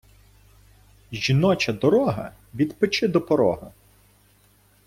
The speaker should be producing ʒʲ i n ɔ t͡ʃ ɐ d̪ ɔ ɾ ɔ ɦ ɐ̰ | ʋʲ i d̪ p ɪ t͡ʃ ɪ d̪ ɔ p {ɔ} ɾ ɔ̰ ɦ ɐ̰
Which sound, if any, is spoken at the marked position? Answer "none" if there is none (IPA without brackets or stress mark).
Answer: ɔ